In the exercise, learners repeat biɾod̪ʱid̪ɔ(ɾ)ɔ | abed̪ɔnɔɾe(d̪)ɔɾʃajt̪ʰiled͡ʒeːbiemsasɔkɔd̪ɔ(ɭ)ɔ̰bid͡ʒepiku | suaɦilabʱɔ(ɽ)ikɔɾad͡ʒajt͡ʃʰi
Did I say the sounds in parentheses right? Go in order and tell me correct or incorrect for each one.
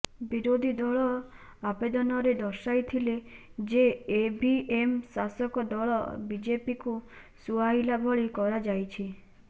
incorrect: ɭ, correct, correct, incorrect: ɭ

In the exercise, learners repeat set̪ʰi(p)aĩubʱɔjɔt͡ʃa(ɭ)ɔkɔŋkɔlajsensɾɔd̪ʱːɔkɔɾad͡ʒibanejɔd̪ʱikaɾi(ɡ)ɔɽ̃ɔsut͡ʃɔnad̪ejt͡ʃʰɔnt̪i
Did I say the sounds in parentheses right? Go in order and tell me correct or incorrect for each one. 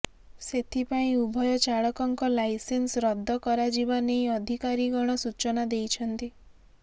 correct, correct, correct

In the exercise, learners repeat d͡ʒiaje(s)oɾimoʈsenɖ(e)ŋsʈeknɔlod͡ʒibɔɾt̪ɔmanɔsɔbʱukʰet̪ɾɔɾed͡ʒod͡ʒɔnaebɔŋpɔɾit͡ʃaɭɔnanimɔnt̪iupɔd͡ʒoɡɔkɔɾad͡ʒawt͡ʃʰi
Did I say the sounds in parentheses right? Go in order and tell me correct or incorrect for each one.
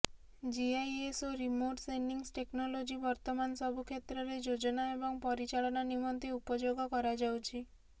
correct, incorrect: i

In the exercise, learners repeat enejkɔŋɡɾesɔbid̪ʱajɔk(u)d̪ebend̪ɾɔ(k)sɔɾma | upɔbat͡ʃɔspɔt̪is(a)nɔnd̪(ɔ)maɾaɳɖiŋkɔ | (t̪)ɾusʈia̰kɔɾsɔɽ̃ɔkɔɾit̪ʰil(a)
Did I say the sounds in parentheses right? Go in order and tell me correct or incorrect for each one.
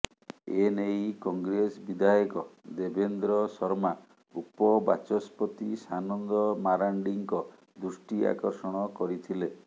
incorrect: ɔ, incorrect: none, correct, correct, incorrect: d̪, incorrect: e

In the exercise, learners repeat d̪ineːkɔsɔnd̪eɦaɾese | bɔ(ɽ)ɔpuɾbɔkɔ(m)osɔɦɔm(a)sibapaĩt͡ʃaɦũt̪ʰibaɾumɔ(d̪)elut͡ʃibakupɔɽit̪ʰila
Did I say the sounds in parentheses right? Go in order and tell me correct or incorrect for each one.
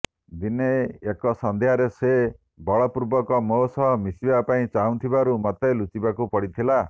incorrect: ɭ, correct, incorrect: i, incorrect: t̪

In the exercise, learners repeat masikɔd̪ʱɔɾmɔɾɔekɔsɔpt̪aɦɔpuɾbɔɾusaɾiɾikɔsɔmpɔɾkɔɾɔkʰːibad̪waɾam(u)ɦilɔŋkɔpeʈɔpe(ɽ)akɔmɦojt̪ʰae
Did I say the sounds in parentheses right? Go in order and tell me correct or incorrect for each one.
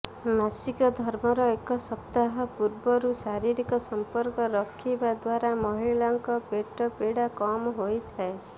incorrect: ɔ, correct

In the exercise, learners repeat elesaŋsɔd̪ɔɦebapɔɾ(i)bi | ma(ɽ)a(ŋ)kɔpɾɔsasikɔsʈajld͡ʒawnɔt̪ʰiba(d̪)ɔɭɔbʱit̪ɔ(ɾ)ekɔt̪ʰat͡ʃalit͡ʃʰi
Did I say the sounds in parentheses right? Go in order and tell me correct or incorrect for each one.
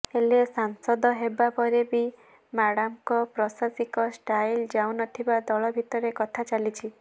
incorrect: e, correct, incorrect: m, correct, correct

